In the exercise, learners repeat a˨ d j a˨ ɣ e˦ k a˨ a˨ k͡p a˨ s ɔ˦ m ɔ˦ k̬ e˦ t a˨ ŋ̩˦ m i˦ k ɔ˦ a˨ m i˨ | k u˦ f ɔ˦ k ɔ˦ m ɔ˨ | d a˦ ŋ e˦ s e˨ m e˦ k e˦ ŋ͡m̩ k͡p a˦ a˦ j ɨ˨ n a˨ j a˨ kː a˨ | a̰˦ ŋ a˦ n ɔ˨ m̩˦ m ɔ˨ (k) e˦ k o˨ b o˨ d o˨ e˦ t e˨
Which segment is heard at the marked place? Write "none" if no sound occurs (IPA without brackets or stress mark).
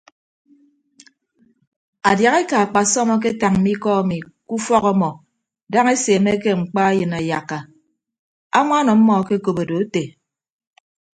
k